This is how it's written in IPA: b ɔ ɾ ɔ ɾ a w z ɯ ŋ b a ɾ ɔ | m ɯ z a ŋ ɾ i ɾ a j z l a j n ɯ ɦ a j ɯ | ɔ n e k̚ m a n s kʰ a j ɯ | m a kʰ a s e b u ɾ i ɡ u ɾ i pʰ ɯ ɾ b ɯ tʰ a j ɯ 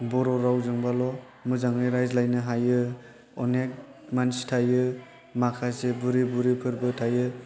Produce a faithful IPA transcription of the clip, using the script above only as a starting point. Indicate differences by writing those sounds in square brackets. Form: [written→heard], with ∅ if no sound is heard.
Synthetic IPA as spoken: b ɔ ɾ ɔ ɾ a w z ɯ ŋ b a [ɾ→l] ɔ | m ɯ z a ŋ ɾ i ɾ a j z l a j n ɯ ɦ a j ɯ | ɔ n e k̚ m a n s [kʰ→tʰ] a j ɯ | m a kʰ a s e b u ɾ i [ɡ→b] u ɾ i pʰ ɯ ɾ b ɯ tʰ a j ɯ